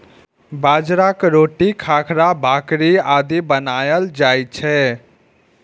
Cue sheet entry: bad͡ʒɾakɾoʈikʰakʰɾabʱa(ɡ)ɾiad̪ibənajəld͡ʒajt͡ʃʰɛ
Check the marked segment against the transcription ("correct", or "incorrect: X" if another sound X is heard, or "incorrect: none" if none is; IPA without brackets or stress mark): incorrect: k